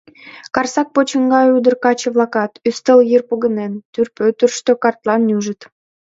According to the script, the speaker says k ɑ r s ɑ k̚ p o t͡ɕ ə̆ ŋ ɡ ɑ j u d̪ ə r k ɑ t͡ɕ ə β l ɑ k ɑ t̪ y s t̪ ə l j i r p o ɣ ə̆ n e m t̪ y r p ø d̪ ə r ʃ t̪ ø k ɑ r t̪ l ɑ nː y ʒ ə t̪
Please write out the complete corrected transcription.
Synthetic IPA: k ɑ r s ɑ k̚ p o t͡ɕ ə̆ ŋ ɡ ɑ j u d̪ ə r k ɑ t͡ɕ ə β l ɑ k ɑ t̪ y s t̪ ə l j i r p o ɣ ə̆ n e n t̪ y r p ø t̪ ə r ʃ t̪ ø k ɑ r t̪ l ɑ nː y ʒ ə t̪